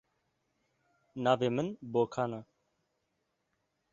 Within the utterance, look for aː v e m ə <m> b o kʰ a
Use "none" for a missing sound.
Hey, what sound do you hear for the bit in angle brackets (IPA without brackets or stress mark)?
n